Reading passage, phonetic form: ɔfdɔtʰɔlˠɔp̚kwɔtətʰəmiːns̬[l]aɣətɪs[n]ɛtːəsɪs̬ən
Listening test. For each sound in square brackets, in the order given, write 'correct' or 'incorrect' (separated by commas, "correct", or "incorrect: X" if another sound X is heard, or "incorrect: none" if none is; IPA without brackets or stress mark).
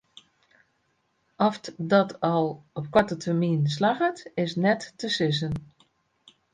correct, correct